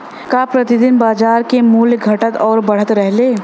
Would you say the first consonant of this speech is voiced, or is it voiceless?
voiceless